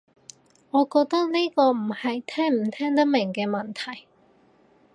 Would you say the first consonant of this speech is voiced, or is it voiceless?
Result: voiced